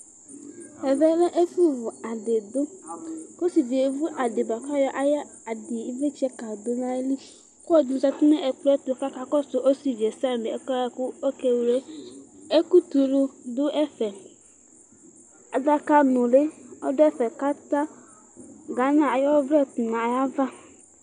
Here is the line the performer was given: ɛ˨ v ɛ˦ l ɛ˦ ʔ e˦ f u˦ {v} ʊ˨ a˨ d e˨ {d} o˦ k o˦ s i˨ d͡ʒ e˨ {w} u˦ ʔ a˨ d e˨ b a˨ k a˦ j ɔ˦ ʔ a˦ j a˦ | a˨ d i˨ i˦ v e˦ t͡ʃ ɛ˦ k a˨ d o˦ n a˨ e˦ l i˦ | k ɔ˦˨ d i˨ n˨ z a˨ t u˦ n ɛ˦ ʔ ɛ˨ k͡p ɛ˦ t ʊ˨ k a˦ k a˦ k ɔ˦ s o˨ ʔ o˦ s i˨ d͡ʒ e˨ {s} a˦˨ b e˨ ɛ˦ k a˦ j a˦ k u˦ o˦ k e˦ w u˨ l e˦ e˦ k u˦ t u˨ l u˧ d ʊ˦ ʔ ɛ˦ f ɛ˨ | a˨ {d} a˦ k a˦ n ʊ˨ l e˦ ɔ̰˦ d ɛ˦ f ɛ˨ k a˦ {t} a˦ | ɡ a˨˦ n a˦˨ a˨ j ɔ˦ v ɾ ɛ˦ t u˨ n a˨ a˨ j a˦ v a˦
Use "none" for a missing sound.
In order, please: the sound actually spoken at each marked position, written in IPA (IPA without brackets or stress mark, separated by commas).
v, d, v, s, d, t